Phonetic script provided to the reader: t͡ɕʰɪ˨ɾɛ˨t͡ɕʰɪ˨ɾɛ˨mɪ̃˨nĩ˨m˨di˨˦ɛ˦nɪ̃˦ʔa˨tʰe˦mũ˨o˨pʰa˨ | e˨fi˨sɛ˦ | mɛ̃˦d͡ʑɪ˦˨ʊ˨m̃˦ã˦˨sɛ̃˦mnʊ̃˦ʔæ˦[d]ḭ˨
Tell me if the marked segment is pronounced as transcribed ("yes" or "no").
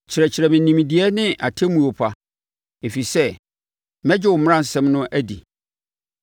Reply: yes